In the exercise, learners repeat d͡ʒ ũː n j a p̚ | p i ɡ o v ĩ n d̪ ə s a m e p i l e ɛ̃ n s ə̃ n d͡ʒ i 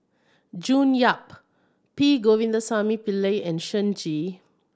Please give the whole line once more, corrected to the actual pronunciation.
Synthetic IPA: d͡ʒ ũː n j a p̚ | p i ɡ o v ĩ n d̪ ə s a m i p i l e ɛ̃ n ʃ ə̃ n d͡ʒ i